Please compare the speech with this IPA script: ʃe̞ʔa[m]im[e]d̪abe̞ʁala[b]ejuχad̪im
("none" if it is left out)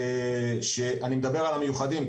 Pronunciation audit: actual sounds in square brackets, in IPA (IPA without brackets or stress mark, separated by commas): n, e, m